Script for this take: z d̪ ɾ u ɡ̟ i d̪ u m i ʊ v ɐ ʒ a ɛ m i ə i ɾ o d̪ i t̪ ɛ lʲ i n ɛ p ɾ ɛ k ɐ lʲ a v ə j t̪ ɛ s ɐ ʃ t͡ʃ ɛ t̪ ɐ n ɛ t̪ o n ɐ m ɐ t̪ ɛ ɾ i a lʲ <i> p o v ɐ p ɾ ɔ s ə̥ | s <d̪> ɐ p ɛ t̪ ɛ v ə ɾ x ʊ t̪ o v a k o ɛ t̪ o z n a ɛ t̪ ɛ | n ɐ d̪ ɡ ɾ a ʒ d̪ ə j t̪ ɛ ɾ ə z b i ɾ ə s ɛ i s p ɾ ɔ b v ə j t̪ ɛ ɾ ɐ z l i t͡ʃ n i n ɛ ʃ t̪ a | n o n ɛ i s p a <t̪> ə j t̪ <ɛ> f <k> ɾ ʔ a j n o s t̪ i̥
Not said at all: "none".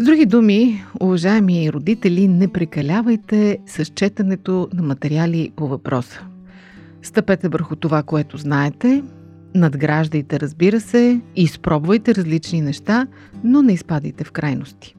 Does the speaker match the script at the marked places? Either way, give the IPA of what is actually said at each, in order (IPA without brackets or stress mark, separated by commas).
i, t̪, d̪, ɛ, k